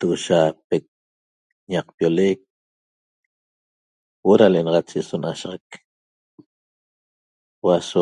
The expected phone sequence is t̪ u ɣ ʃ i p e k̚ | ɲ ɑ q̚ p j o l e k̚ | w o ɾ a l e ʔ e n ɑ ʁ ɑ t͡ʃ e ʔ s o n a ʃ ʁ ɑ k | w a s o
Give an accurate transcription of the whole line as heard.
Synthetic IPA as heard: t̪ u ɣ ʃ a p e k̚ | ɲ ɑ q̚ p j o l e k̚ | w o ɾ a l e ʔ e n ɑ ʁ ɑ t͡ʃ e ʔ s o n a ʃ ʁ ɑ k | w a s o